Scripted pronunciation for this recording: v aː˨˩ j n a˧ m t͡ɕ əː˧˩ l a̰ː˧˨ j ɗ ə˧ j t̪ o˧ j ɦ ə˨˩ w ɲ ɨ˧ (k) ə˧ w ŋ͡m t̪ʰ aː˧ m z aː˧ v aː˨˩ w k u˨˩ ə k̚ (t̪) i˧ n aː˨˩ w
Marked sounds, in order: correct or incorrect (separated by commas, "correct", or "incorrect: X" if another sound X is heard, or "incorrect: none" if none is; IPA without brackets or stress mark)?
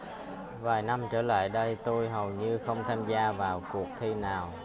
incorrect: x, incorrect: t̪ʰ